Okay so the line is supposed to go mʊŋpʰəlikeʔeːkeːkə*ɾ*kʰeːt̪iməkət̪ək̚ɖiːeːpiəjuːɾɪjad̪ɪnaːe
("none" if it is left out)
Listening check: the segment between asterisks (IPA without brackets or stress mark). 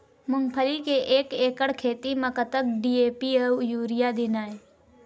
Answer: ɽ